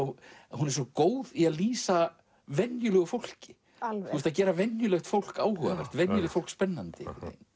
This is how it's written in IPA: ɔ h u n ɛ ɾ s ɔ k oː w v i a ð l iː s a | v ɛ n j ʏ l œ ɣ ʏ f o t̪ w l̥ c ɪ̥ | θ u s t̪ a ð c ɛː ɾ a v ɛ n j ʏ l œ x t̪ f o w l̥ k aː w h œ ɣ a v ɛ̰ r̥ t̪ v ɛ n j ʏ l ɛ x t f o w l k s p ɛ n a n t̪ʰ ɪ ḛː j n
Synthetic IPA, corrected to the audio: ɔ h u n ɛ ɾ s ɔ k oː w ð i a ð l iː s a | v ɛ n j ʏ l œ ɣ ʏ f o w l̥ c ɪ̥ | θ u s t̪ a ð c ɛː ɾ a v ɛ n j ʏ l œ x t̪ f o w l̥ k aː w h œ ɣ a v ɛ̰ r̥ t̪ v ɛ n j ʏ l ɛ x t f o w l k s p ɛ nː a n t̪ ɪ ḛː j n